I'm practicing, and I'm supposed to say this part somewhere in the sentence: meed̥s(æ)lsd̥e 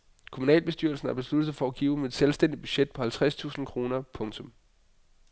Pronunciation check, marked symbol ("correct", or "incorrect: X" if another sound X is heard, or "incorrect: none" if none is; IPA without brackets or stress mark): incorrect: e